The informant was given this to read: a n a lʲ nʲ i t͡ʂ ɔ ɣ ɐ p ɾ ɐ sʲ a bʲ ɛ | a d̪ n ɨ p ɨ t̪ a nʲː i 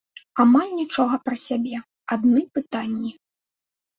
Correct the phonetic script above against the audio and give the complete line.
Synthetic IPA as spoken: a m a lʲ nʲ i t͡ʂ ɔ ɣ ɐ p ɾ ɐ sʲ a bʲ ɛ | a d̪ n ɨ p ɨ t̪ a nʲː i

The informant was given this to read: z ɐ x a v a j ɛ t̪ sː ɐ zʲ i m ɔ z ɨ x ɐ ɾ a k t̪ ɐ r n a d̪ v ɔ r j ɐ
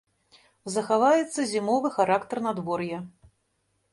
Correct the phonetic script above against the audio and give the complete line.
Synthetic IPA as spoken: z ɐ x a v a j ɛ t̪ sː ɐ zʲ i m ɔ v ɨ x a ɾ a k t̪ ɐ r n a d̪ v ɔ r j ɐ

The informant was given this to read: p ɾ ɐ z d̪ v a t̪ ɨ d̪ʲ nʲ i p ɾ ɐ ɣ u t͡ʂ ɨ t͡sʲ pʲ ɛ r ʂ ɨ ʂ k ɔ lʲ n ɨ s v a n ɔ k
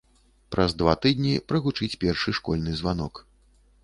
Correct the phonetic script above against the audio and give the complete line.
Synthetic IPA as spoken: p ɾ ɐ z d̪ v a t̪ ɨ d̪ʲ nʲ i p ɾ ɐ ɣ u t͡ʂ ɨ t͡sʲ pʲ ɛ r ʂ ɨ ʂ k ɔ lʲ n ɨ z v a n ɔ k

